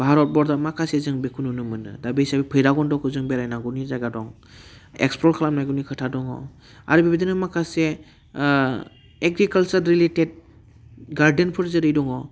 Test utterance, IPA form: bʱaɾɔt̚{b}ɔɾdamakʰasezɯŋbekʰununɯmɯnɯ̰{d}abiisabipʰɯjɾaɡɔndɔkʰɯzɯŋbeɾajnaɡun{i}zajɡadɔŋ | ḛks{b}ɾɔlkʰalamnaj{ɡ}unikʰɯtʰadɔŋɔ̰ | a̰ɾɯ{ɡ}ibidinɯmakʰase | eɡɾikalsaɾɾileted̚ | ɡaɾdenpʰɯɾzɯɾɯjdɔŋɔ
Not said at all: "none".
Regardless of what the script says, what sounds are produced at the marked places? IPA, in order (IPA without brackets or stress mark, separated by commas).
b, d, i, p, ɡ, b